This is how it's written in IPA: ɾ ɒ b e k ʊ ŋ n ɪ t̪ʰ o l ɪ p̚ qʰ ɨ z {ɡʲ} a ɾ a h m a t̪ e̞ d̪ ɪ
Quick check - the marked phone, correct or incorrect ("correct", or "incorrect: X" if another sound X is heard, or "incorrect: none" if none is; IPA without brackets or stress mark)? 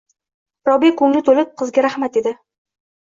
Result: correct